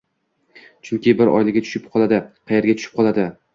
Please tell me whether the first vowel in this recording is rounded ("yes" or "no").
yes